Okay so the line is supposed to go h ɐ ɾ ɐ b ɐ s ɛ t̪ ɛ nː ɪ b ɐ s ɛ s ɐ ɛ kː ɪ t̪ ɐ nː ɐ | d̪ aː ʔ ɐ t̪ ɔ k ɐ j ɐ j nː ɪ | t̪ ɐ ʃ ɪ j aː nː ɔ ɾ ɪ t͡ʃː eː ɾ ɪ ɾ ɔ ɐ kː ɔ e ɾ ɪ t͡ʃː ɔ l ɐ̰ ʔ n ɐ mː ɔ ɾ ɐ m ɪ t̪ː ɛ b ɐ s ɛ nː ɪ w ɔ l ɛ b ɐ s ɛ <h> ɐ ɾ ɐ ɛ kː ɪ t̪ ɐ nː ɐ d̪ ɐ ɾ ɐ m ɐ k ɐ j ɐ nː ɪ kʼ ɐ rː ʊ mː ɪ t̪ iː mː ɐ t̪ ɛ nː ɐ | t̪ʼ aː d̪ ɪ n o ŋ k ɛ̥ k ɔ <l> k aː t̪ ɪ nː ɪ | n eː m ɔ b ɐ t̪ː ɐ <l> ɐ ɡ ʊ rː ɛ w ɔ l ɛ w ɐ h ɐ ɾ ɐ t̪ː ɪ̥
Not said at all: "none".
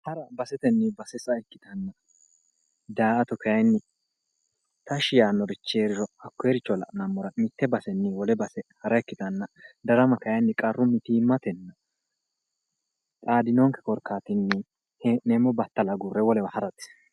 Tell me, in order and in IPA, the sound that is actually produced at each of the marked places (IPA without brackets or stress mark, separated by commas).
h, ɾ, l